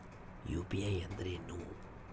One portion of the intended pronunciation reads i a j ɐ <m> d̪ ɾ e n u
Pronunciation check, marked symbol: incorrect: n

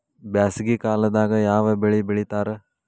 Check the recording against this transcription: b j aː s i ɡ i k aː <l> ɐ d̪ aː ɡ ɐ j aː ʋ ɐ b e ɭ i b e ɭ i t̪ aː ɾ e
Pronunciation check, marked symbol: correct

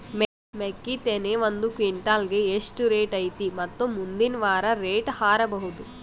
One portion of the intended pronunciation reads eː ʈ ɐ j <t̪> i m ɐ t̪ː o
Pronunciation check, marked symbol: correct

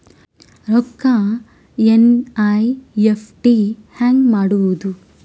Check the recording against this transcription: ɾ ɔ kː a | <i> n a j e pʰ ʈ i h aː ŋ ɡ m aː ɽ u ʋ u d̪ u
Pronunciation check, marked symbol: incorrect: e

